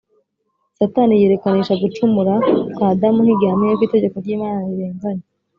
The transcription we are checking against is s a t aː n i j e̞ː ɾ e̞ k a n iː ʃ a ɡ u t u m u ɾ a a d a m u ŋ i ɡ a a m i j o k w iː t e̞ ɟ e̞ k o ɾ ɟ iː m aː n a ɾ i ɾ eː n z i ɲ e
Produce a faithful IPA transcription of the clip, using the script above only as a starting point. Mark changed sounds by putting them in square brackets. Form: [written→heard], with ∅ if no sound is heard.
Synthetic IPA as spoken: s a t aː n i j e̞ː ɾ e̞ k a n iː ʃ a ɡ u [t→t͡ʃ] u m u ɾ a a d a m u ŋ i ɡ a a m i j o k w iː t e̞ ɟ e̞ k o ɾ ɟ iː m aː n a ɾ i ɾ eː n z [i→a] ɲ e